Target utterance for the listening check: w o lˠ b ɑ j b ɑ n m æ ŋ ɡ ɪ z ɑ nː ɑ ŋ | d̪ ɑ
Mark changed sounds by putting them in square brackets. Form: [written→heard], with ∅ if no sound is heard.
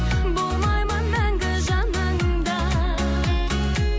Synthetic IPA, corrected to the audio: [w→b] o lˠ [b→m] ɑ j [b→m] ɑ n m æ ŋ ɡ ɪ [z→ʒ] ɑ [nː→n] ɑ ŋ | d̪ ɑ